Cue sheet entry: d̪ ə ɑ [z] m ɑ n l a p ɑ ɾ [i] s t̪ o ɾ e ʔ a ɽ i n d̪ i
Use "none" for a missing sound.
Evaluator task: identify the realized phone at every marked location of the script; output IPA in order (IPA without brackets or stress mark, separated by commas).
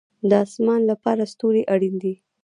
s, a